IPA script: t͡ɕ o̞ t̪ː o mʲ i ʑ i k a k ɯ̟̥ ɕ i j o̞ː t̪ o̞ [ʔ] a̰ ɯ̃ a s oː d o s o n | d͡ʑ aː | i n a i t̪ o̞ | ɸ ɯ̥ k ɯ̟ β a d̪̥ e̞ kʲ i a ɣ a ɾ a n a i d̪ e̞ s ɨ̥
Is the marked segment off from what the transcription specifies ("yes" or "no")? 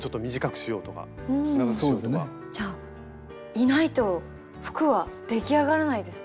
yes